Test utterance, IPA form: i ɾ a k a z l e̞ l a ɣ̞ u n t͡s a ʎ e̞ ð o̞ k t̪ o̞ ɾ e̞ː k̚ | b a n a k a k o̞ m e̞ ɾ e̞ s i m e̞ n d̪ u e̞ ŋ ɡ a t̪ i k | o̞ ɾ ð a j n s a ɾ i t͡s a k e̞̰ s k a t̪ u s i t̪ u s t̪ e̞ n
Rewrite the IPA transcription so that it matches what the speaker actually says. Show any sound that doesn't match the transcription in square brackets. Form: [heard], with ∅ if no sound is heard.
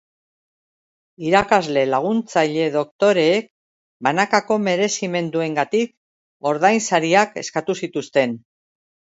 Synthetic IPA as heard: i ɾ a k a z l e̞ l a ɣ̞ u n t͡s a ʎ e̞ ð o̞ k t̪ o̞ ɾ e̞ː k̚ | b a n a k a k o̞ m e̞ ɾ e̞ s i m e̞ n d̪ u e̞ ŋ ɡ a t̪ i k | o̞ ɾ ð a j n s a ɾ i [∅] a k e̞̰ s k a t̪ u s i t̪ u s t̪ e̞ n